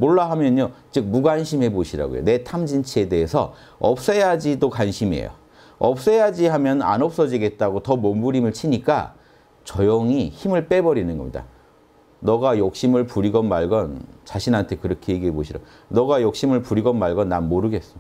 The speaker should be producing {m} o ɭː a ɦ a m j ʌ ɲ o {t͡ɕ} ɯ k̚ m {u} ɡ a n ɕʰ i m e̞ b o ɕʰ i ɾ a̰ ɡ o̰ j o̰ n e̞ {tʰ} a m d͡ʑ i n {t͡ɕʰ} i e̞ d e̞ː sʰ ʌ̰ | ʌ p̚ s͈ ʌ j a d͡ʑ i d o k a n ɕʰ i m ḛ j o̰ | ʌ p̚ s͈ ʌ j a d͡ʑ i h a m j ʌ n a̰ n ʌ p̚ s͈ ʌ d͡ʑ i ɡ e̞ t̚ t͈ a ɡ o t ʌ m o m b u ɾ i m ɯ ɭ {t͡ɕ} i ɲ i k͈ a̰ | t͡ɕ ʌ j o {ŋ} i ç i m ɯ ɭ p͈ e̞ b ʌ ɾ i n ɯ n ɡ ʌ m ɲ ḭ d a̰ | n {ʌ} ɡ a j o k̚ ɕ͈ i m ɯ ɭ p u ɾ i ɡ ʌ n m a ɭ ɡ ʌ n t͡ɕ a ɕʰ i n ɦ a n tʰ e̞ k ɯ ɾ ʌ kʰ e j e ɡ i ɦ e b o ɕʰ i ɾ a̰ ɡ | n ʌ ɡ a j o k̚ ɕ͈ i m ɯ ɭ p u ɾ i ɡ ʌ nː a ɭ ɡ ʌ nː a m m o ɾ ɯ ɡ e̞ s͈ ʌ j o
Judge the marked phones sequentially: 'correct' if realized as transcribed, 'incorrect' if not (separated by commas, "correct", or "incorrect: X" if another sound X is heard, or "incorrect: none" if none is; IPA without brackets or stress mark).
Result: correct, correct, correct, correct, correct, incorrect: t͡ɕʰ, correct, correct